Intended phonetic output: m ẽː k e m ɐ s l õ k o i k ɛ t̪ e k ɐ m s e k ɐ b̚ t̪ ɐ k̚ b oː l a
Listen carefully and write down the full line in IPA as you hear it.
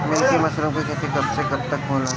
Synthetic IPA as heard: m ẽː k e m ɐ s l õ k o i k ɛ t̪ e k ɐ b s e k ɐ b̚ t̪ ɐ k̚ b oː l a